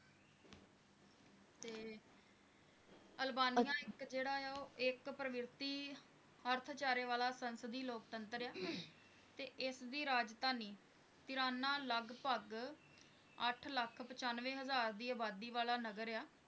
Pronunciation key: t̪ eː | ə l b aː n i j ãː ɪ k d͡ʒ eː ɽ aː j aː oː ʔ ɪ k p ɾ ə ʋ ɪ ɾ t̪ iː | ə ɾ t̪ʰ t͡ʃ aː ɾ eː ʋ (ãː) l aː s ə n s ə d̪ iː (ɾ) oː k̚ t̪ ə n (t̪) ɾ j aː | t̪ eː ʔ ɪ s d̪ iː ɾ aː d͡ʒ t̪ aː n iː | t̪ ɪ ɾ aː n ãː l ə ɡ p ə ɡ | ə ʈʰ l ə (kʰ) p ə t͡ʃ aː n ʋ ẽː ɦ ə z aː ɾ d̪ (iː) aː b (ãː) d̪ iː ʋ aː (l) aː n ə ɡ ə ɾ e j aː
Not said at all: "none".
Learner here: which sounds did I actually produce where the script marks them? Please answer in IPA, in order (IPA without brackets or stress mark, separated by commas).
aː, l, t̪, kʰ, iː, aː, l